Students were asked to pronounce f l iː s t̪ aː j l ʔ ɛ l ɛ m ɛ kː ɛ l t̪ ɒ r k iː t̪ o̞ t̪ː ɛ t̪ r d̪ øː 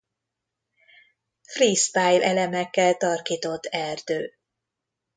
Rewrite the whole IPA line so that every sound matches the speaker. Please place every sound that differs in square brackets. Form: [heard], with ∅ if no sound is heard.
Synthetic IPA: f [r] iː s t̪ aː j l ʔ ɛ l ɛ m ɛ kː ɛ l t̪ ɒ r k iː t̪ o̞ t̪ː ɛ [∅] r d̪ øː